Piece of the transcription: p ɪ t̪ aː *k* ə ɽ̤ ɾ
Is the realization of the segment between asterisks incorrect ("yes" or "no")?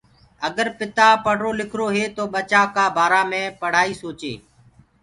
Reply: yes